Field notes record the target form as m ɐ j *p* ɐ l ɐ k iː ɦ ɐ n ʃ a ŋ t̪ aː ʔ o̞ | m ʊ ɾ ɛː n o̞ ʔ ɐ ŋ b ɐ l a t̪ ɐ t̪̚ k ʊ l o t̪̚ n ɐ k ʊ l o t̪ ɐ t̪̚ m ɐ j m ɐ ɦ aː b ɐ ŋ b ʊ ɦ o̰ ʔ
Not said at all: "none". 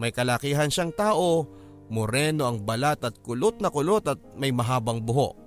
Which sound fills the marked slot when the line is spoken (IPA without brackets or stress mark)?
k